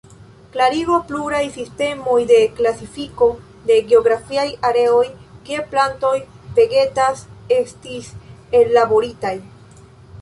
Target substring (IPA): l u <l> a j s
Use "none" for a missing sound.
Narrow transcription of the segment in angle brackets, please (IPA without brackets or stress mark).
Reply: ɾ